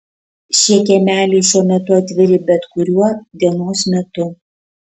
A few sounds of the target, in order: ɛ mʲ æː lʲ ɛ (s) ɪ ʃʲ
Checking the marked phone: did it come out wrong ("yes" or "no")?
yes